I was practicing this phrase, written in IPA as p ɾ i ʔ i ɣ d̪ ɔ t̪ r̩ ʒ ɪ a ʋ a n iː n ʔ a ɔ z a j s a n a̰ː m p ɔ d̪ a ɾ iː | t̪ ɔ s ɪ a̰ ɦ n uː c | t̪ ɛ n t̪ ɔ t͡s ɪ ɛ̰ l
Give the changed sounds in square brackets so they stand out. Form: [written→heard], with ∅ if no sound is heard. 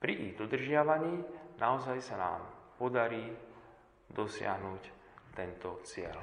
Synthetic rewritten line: p ɾ i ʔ i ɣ d̪ ɔ [t̪→d̪] r̩ ʒ ɪ a ʋ a [n→ɲ] iː n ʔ a ɔ z a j s a n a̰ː m p ɔ d̪ a ɾ iː | [t̪→d̪] ɔ s ɪ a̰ ɦ n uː c | t̪ ɛ n t̪ ɔ t͡s ɪ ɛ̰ l